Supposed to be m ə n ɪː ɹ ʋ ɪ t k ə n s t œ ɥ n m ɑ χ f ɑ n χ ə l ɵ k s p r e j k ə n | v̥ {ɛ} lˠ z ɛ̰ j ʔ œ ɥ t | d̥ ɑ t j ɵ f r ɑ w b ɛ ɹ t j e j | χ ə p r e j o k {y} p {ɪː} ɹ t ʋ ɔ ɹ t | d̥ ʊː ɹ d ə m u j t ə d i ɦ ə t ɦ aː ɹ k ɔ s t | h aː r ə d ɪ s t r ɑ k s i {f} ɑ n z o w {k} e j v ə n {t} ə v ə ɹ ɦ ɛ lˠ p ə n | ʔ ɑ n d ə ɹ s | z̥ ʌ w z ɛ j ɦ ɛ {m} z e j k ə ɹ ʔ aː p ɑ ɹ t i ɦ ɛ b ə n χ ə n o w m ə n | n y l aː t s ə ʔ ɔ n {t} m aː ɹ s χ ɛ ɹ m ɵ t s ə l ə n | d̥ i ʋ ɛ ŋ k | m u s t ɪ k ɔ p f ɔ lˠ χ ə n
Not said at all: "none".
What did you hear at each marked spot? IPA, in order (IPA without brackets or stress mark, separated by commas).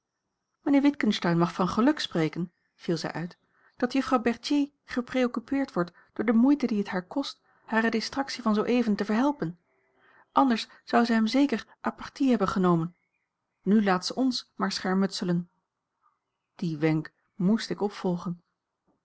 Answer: i, y, ɪː, v, ʔ, t, m, s